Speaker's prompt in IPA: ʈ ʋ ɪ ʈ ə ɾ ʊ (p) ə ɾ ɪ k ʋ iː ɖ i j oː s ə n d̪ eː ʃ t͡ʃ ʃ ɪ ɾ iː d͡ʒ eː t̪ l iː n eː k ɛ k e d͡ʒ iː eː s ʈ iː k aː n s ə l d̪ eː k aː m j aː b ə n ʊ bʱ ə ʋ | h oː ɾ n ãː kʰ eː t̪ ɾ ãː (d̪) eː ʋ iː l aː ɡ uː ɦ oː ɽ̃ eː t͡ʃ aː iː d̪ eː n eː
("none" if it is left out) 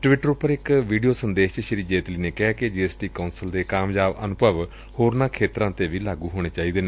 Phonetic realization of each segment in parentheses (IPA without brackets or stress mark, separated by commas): p, t̪